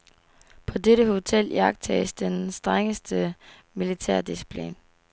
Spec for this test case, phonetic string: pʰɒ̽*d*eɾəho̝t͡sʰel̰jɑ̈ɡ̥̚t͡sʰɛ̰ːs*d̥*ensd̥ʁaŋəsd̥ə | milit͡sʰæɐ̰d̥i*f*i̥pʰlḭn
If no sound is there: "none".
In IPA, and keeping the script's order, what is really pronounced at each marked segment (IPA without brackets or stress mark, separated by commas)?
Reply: d, d̥, s